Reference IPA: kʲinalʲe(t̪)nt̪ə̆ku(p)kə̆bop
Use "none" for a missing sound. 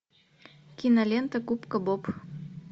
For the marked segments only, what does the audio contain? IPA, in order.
none, p

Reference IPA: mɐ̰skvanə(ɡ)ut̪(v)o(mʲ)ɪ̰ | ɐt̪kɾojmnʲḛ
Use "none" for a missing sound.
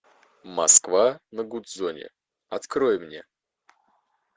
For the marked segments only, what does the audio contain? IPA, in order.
ɡ, z, nʲ

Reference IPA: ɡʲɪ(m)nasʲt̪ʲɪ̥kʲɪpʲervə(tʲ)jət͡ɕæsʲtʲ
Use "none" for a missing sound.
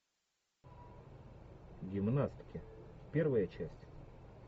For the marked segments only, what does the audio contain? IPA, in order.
m, none

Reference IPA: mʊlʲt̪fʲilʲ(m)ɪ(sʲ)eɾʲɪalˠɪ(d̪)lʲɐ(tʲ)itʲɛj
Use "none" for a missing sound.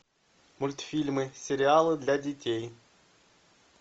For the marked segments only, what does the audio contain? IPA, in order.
m, sʲ, d̪, dʲ

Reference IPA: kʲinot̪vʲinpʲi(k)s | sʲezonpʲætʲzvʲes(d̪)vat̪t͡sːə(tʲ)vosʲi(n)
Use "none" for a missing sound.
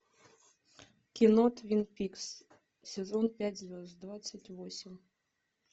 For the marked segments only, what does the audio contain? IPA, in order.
k, d̪, tʲ, m

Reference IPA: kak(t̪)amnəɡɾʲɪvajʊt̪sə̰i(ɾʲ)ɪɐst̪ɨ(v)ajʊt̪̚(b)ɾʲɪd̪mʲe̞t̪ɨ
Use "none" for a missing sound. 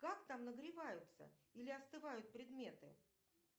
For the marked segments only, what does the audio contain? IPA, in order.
t̪, lʲ, v, p

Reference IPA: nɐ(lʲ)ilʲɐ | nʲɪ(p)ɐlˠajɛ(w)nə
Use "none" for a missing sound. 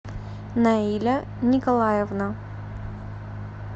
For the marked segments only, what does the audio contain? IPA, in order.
none, k, v

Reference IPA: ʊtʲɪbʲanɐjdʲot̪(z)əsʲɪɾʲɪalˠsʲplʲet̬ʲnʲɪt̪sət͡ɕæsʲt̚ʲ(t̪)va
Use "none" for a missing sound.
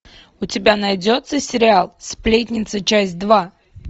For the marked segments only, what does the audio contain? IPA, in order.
s, d̪

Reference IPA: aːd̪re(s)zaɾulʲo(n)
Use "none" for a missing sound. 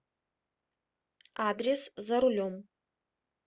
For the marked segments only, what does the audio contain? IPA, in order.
s, m

